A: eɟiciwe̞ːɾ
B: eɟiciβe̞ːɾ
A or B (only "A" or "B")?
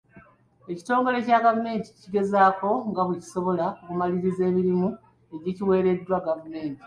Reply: A